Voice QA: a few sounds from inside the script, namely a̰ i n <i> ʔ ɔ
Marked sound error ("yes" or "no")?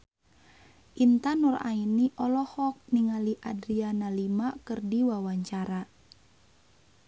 no